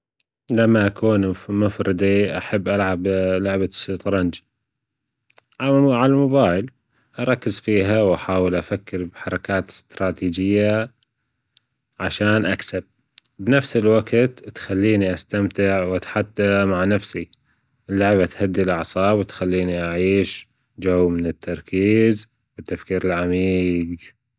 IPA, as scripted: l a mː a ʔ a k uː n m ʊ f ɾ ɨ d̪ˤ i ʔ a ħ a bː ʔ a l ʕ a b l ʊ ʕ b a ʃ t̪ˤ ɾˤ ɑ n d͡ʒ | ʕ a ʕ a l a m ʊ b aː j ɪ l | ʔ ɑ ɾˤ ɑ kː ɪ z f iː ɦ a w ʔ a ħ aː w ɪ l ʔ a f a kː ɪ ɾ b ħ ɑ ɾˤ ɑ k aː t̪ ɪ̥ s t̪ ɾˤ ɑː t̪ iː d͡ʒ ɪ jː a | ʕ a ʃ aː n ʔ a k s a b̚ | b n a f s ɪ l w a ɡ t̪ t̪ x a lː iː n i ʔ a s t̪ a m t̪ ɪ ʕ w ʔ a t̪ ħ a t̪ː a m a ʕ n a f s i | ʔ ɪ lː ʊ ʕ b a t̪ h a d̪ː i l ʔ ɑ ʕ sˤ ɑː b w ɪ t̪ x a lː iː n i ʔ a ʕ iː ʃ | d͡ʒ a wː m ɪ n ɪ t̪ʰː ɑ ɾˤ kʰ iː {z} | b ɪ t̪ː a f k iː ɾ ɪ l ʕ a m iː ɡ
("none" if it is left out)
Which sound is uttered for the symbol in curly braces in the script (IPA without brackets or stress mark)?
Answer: z